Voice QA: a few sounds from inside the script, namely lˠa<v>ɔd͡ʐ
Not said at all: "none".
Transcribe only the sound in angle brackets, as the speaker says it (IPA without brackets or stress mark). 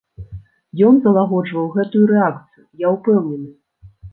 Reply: ɣ